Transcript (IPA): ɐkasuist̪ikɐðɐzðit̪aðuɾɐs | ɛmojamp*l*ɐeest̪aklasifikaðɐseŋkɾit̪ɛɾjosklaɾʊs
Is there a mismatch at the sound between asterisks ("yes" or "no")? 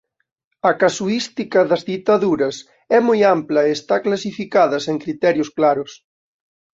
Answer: no